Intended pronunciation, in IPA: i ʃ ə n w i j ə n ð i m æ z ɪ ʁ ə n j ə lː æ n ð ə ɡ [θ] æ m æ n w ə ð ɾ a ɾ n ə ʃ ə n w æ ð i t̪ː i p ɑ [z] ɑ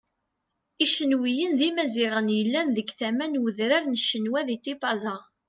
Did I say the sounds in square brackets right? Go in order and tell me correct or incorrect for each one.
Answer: correct, correct

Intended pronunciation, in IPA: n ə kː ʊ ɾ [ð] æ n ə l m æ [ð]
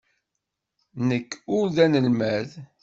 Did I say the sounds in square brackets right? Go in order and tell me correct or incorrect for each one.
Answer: correct, correct

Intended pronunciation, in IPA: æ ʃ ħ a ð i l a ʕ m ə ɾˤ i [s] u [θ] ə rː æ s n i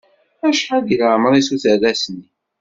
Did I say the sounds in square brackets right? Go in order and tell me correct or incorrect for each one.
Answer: correct, correct

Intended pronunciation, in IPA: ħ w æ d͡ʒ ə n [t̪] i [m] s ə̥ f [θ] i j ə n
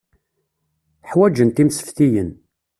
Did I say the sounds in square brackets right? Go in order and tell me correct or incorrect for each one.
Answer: correct, correct, correct

